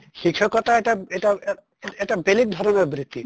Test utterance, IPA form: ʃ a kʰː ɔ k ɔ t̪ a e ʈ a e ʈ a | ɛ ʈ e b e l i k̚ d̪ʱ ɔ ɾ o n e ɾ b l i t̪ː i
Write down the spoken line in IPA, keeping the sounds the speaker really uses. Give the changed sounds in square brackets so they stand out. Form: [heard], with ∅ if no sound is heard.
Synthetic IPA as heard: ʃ [i] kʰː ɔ k ɔ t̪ a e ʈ a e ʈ a | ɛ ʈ [a] b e l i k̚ d̪ʱ ɔ ɾ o n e ɾ b [ɾ] i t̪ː i